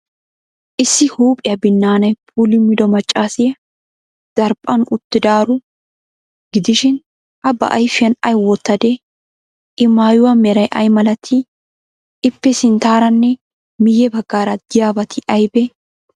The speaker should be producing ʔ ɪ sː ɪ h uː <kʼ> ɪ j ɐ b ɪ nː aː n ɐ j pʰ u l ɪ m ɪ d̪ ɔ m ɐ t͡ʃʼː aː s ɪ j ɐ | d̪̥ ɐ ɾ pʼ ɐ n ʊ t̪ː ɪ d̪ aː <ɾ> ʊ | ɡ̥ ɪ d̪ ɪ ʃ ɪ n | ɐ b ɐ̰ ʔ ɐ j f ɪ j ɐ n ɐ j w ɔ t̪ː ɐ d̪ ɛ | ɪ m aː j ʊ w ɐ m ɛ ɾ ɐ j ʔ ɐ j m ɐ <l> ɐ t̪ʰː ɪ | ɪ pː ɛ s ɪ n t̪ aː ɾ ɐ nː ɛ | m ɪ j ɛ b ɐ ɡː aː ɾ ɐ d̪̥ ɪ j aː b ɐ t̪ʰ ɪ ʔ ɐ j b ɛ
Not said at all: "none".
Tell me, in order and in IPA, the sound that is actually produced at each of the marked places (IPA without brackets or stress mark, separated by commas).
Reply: pʼ, ɾ, l